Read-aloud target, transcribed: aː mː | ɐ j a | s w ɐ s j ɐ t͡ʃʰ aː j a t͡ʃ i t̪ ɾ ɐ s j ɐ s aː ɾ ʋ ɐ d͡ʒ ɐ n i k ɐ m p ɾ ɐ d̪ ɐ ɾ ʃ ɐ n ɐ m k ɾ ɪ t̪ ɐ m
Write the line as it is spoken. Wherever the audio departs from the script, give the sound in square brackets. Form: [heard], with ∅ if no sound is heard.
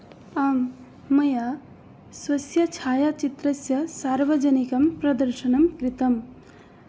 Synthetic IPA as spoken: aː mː | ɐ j a | s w ɐ s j ɐ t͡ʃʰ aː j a t͡ʃ i t̪ ɾ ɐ s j ɐ s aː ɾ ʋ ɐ d͡ʒ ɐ n i k ɐ m p ɾ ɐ d̪ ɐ ɾ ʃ ɐ n ɐ m k ɾ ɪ t̪ ɐ m